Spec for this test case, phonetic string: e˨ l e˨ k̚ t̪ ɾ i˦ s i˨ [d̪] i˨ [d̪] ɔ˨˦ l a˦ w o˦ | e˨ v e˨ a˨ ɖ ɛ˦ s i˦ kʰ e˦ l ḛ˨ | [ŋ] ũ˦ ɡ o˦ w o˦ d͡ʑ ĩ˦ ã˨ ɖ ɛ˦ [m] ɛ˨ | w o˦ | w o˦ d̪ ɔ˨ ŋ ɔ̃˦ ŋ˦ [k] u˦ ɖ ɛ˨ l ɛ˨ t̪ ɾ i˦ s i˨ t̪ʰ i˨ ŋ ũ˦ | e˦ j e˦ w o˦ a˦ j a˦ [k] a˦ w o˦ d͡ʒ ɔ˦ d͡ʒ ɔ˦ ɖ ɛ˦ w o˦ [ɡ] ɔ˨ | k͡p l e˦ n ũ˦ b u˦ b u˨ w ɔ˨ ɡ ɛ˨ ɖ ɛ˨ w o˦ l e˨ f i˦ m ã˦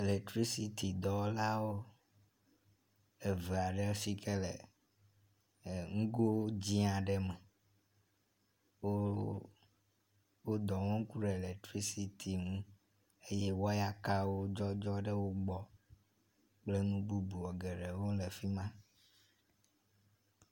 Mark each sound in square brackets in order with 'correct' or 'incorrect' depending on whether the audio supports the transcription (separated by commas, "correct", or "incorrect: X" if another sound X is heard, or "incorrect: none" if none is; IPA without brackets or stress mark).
incorrect: t̪, correct, correct, correct, correct, correct, incorrect: ɡ͡b